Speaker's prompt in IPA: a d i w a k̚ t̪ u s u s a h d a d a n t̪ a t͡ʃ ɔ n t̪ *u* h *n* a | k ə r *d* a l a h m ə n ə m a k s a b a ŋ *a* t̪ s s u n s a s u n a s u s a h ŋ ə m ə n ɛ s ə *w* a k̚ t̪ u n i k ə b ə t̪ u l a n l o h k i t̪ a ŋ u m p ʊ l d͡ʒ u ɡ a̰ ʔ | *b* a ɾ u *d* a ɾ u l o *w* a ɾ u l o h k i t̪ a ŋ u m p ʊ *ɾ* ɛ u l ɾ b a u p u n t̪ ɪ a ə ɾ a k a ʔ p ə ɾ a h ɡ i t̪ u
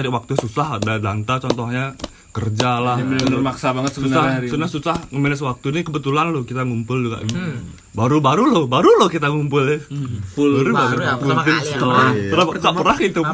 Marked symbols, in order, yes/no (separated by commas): no, no, no, no, yes, yes, no, no, no